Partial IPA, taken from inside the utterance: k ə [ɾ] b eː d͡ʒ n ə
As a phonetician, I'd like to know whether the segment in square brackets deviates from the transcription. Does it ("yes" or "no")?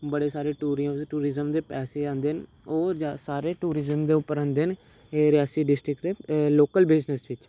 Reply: yes